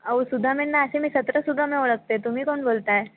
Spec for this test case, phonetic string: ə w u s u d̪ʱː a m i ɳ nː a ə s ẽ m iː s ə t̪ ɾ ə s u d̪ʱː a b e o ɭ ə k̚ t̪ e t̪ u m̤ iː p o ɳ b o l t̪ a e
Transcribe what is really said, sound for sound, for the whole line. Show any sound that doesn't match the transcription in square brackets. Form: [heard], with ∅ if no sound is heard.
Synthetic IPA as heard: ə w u s u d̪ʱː a m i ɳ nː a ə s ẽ m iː s ə t̪ ɾ ə s u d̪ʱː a [m] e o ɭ ə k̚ t̪ e t̪ u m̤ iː [k] o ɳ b o l t̪ a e

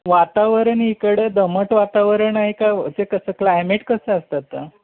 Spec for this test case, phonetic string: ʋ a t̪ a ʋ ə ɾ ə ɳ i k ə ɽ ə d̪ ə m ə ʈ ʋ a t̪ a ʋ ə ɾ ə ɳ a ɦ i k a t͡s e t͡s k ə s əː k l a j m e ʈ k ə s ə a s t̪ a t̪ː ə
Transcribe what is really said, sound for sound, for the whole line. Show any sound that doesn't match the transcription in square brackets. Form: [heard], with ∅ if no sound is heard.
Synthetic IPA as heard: ʋ a t̪ a ʋ ə ɾ ə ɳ i k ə ɽ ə d̪ ə m ə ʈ ʋ a t̪ a ʋ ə ɾ ə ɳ a ɦ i k a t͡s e [∅] k ə s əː k l a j m e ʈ k ə s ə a s t̪ a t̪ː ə

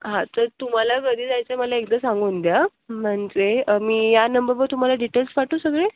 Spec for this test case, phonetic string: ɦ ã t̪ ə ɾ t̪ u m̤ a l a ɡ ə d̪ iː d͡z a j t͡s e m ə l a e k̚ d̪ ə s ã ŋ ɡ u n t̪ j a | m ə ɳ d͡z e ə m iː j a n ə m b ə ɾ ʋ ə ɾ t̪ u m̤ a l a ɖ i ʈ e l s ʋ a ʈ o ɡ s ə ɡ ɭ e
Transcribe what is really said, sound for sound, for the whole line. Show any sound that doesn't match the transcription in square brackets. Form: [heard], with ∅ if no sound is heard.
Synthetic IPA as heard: ɦ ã t̪ ə ɾ t̪ u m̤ a l a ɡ ə d̪ iː d͡z a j t͡s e m ə l a e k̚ d̪ ə s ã ŋ ɡ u n [d̪] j a | m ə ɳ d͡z e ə m iː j a n ə m b ə ɾ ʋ ə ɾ t̪ u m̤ a l a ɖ i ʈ e l s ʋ a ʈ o [∅] s ə ɡ ɭ e

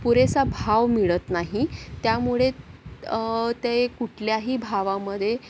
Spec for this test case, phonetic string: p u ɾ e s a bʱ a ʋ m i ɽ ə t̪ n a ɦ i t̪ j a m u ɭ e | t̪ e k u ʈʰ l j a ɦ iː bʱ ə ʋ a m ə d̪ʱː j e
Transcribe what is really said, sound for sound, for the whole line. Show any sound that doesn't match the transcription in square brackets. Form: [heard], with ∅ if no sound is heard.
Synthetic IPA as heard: p u ɾ e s a bʱ a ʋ m i [ɭ] ə t̪ n a ɦ i t̪ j a m u ɭ e | t̪ e k u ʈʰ l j a ɦ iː bʱ [a] ʋ a m ə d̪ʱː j e

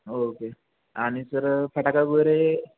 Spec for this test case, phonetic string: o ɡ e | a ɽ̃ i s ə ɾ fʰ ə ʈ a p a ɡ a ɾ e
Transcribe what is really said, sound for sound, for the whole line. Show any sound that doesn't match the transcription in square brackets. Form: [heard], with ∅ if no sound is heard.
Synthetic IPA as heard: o [k] e | a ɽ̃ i s ə ɾ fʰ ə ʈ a [k] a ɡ [ə] ɾ e

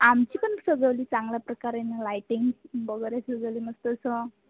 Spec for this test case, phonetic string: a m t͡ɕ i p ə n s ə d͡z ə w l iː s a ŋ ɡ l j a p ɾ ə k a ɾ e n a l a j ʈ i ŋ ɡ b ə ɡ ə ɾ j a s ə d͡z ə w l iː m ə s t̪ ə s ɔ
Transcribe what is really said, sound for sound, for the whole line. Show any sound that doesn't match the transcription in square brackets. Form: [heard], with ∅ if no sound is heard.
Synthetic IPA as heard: a m t͡ɕ i p ə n s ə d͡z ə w l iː [t͡s] a ŋ ɡ l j a p ɾ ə k a ɾ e n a l a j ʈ i ŋ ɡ b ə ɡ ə ɾ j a s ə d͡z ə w l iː m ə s t̪ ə s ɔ

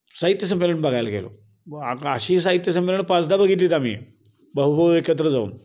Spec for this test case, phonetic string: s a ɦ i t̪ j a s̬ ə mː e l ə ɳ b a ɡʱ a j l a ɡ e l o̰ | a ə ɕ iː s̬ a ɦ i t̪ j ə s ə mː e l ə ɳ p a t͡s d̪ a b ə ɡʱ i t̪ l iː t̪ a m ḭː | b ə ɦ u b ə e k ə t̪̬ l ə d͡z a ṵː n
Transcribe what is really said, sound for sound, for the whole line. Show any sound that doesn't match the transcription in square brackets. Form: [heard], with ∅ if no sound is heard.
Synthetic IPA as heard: s a ɦ i t̪ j [ə] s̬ ə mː e l ə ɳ b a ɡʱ a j l a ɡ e l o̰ | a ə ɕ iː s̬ a ɦ i t̪ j ə s ə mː e l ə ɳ p a t͡s d̪ a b ə ɡʱ i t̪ l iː t̪ a m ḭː | b ə ɦ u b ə e k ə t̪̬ [ɾ] ə d͡z a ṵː n

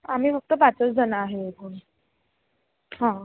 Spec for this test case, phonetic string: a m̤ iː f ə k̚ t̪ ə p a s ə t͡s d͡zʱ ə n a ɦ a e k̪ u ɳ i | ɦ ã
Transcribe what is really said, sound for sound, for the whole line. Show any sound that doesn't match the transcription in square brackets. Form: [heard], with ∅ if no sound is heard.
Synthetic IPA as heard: a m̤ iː f ə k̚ t̪ ə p a [t͡s] ə t͡s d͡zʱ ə n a ɦ [e] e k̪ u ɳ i | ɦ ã

